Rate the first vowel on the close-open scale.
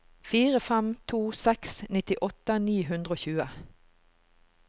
close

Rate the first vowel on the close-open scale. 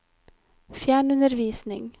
open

